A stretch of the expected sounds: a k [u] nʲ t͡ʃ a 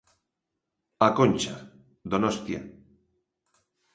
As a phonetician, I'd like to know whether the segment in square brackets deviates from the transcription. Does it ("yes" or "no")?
yes